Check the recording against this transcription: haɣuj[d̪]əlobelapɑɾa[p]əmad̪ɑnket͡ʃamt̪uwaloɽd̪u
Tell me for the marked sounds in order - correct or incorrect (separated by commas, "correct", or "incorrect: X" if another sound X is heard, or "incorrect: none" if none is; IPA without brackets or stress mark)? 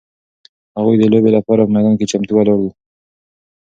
correct, correct